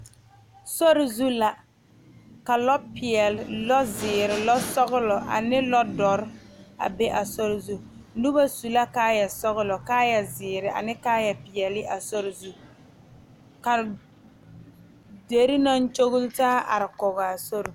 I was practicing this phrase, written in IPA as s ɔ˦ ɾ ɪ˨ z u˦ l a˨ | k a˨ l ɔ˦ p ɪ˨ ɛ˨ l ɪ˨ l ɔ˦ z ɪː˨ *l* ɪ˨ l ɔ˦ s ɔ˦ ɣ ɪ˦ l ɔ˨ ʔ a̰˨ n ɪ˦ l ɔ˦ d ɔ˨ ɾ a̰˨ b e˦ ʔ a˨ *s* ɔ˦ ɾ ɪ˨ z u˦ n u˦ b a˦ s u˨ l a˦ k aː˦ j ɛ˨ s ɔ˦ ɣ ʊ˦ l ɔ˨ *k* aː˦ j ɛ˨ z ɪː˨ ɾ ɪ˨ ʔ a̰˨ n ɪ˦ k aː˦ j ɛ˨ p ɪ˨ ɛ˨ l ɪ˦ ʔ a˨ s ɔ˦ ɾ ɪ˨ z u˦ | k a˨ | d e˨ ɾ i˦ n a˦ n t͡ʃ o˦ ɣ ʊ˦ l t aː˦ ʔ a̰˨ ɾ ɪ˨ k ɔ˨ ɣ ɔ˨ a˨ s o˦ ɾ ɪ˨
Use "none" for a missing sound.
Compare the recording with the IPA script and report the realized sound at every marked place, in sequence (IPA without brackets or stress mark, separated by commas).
ɾ, s, k